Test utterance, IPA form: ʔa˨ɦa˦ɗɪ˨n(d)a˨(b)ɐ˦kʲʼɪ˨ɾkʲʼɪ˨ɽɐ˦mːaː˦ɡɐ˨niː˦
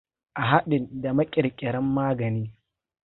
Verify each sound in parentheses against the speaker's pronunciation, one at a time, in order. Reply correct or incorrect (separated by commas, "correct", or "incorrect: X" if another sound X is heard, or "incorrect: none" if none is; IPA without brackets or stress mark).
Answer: correct, incorrect: m